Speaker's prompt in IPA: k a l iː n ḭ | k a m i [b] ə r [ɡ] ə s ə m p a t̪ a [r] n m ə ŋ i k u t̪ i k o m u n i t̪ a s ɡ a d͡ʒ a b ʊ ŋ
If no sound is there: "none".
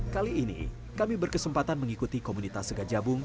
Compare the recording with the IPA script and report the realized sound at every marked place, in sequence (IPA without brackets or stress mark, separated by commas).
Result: b, k, none